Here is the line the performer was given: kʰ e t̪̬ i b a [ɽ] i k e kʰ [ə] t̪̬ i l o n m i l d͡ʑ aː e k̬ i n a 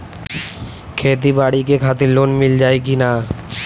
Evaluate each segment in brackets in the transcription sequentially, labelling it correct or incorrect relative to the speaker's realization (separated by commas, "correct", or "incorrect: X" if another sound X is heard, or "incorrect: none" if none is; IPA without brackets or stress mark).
correct, incorrect: a